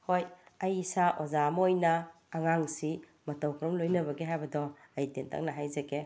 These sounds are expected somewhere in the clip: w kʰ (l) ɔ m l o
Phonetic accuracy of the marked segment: incorrect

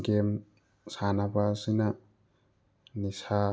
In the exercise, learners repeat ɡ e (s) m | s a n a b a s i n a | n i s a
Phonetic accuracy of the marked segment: incorrect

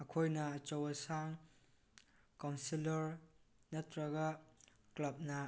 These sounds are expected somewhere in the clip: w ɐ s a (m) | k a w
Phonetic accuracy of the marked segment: incorrect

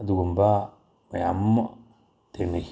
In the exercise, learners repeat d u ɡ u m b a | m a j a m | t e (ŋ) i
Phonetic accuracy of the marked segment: incorrect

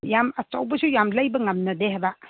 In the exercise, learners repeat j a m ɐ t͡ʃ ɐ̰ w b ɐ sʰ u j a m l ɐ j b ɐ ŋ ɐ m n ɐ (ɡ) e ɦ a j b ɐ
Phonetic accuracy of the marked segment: incorrect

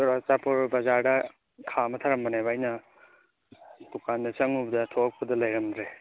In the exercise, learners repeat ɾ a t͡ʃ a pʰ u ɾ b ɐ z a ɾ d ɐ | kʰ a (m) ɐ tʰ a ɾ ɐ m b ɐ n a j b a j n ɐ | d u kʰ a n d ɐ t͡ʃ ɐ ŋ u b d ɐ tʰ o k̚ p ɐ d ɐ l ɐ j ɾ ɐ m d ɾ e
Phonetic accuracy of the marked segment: correct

